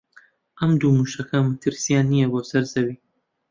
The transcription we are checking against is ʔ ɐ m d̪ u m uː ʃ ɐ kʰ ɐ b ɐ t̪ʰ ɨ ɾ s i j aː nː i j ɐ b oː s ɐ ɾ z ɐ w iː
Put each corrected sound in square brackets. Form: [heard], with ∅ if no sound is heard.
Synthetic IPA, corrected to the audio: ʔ ɐ m d̪ u m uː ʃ ɐ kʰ ɐ [m] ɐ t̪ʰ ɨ ɾ s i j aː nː i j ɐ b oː s ɐ ɾ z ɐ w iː